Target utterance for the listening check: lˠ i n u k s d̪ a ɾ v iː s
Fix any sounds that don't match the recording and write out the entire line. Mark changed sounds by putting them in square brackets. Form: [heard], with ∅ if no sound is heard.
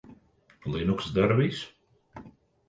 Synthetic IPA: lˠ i n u k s d̪ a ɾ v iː s